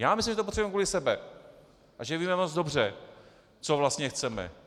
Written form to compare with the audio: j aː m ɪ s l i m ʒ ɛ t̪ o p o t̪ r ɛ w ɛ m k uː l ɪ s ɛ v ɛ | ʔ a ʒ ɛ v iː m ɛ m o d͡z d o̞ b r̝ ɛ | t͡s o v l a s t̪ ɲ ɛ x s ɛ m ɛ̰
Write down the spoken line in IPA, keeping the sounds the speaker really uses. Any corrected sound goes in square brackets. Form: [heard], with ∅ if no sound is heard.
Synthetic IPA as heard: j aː m ɪ s l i m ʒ ɛ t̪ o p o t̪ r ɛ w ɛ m k uː l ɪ s ɛ [b] ɛ | ʔ a ʒ ɛ v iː m ɛ m o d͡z d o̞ b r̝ ɛ | t͡s o v l a s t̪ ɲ ɛ x [t͡s] ɛ m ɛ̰

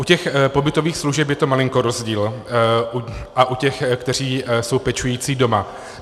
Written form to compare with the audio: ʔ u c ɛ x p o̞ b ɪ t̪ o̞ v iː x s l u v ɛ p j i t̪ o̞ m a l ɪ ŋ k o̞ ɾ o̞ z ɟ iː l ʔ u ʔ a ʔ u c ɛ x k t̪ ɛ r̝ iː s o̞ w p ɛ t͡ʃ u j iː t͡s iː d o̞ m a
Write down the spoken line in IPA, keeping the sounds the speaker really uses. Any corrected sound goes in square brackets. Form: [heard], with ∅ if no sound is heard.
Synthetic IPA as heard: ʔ u c ɛ x p o̞ b ɪ t̪ o̞ v iː x s l u [ʒ] ɛ p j [ɛ] t̪ o̞ m a l ɪ ŋ k o̞ ɾ o̞ z ɟ iː l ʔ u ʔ a ʔ u c ɛ x k t̪ ɛ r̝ iː s o̞ w p ɛ t͡ʃ u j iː t͡s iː d o̞ m a

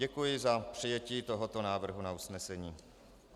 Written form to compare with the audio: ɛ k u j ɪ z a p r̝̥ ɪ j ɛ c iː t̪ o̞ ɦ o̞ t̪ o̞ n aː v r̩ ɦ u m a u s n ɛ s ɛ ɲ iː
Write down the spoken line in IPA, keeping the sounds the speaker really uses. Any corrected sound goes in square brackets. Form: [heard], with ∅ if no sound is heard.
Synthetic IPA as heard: ɛ k u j ɪ z a p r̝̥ ɪ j ɛ c iː t̪ o̞ ɦ o̞ t̪ o̞ n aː v r̩ ɦ u [n] a u s n ɛ s ɛ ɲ iː

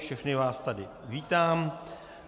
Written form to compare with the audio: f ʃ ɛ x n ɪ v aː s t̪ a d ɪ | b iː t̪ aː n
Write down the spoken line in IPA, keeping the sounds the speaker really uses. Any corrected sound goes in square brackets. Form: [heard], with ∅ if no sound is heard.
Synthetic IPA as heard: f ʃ ɛ x n ɪ v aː s t̪ a d ɪ | [v] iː t̪ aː [m]

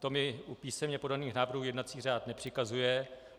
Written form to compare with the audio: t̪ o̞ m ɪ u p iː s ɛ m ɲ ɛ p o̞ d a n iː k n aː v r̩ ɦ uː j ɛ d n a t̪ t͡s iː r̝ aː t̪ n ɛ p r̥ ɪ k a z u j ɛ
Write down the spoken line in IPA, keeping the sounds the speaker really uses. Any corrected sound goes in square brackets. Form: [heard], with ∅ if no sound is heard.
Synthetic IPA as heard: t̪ o̞ m ɪ u p iː s ɛ m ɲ ɛ p o̞ d a n iː [x] n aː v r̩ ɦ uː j ɛ d n a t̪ t͡s iː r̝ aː t̪ n ɛ p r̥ ɪ k a z u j ɛ

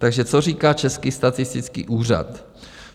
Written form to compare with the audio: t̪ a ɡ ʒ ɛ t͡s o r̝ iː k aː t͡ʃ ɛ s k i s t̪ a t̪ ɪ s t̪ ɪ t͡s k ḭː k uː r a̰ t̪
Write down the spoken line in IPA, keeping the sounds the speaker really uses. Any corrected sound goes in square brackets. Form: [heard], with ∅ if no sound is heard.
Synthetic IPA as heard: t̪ a ɡ ʒ ɛ t͡s o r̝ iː k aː t͡ʃ ɛ s k i s t̪ a t̪ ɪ s t̪ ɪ t͡s k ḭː [ʔ] uː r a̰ t̪

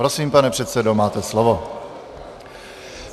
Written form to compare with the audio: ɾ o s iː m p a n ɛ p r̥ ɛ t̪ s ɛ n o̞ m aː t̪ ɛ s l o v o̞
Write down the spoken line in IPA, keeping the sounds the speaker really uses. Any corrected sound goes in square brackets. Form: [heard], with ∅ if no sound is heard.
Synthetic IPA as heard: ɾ o s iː m p a n ɛ p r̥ ɛ t̪ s ɛ [d] o̞ m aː t̪ ɛ s l o v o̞

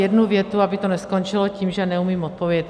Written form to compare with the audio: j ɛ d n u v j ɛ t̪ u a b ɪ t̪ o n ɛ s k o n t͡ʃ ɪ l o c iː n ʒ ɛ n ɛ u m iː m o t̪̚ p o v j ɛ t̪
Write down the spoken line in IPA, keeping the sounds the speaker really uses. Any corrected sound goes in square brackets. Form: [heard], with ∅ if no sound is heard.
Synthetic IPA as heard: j ɛ d n u v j ɛ t̪ u a b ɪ t̪ o n ɛ s k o n t͡ʃ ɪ l o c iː [m] ʒ ɛ n ɛ u m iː m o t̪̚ p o v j ɛ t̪

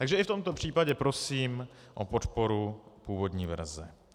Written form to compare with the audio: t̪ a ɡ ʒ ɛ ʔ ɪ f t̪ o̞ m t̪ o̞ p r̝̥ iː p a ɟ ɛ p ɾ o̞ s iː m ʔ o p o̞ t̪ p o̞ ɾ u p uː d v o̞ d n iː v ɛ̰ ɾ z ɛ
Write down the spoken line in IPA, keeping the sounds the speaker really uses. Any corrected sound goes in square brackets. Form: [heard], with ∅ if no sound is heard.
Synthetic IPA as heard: t̪ a ɡ ʒ ɛ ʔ ɪ f t̪ o̞ m t̪ o̞ p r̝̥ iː p a ɟ ɛ p ɾ o̞ s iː m ʔ o p o̞ t̪ p o̞ ɾ u p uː [∅] v o̞ d [ɲ] iː v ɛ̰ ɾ z ɛ

